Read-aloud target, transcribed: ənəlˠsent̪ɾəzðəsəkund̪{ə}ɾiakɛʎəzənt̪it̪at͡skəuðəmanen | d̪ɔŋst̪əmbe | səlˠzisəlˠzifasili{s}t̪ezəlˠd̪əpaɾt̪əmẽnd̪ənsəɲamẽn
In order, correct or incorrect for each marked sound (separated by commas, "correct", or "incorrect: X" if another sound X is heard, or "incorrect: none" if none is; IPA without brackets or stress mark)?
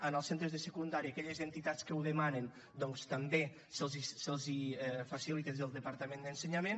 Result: incorrect: a, incorrect: none